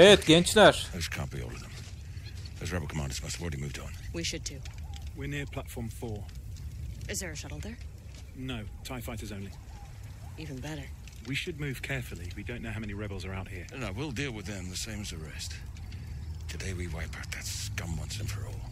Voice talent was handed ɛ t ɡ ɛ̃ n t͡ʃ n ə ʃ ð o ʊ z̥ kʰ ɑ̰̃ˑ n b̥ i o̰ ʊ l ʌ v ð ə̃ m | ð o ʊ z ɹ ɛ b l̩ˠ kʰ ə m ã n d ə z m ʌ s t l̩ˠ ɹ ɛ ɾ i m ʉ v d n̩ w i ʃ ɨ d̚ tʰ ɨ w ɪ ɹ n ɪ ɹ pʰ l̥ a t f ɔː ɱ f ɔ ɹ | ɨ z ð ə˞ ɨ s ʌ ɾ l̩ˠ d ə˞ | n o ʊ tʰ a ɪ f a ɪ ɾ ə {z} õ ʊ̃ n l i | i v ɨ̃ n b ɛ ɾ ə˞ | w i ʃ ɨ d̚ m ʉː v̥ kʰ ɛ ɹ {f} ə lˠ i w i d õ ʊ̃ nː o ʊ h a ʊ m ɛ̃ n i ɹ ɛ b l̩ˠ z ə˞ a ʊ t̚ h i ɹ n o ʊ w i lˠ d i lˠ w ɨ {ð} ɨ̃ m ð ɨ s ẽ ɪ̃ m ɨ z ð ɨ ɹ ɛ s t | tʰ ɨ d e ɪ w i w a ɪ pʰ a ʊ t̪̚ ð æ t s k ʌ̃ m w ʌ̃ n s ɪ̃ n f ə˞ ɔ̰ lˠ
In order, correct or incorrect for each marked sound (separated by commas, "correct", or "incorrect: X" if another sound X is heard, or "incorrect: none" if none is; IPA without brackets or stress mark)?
correct, correct, correct